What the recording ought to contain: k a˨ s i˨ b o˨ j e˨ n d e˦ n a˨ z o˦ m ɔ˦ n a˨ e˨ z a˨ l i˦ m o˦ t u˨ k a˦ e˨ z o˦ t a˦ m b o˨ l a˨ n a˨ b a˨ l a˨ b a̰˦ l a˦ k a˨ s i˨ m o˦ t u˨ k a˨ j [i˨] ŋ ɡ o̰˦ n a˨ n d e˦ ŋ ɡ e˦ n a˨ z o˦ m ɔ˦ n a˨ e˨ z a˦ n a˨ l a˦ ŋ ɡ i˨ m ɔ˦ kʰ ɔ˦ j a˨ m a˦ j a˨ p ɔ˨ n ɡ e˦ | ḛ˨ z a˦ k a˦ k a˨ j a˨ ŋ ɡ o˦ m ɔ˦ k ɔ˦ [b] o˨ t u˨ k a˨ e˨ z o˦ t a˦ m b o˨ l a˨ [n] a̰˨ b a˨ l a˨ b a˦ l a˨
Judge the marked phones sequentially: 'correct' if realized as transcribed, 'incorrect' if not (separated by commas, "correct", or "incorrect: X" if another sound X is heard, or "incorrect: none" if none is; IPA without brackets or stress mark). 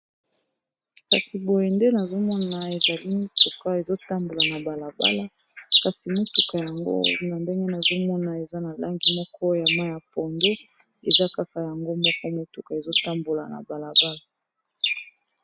incorrect: a˨, incorrect: m, correct